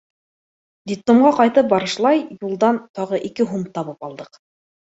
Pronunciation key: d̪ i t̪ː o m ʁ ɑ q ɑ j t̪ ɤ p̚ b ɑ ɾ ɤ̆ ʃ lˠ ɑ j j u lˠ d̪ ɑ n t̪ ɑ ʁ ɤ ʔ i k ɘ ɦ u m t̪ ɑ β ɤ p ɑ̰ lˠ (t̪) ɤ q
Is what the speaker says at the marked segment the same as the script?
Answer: no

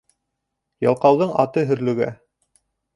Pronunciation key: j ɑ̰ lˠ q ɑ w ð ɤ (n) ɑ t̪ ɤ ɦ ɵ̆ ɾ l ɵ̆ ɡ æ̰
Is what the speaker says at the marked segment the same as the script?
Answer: no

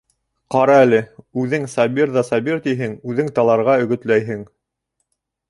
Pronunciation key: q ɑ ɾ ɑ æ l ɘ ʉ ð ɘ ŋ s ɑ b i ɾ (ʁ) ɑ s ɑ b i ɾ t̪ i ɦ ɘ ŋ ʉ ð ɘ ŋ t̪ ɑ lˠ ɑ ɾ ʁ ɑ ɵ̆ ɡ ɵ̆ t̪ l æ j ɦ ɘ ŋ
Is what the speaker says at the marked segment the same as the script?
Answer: no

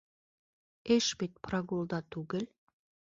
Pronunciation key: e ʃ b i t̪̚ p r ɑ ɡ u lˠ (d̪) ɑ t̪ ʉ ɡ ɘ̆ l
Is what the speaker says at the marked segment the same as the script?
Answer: yes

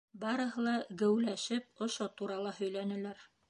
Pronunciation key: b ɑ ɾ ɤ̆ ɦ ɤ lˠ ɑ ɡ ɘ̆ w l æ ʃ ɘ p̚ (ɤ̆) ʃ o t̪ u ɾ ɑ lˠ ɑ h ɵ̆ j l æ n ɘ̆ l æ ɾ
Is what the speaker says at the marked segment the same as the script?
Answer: no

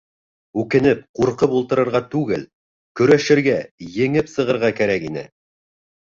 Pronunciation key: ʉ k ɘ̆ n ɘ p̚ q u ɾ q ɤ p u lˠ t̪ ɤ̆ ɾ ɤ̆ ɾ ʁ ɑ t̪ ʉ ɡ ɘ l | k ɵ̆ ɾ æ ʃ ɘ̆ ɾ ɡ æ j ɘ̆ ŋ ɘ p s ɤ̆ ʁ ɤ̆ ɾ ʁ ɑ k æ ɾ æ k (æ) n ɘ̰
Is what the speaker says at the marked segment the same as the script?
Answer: no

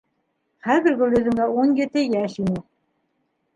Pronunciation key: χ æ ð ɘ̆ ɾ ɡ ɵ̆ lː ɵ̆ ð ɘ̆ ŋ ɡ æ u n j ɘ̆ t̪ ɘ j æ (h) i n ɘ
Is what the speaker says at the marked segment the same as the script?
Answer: no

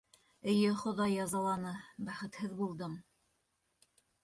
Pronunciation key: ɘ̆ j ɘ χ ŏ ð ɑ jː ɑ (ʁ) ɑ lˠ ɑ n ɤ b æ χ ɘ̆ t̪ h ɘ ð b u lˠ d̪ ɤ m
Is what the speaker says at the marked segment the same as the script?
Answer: no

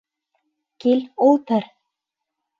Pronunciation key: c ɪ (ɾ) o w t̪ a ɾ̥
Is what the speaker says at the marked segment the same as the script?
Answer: no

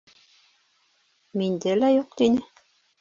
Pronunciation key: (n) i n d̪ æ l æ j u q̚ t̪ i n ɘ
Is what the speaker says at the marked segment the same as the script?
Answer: no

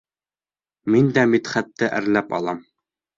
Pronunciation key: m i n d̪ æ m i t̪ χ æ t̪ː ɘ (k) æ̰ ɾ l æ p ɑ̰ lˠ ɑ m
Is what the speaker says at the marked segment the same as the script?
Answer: no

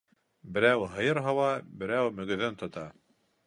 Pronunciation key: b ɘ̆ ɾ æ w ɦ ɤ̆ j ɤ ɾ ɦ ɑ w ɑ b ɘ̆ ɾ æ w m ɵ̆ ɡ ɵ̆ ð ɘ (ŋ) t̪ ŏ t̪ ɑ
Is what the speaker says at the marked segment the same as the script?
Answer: no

